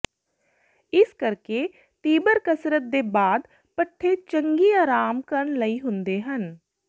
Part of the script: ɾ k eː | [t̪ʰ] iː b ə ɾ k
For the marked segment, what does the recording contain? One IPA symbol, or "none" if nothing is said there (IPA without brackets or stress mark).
t̪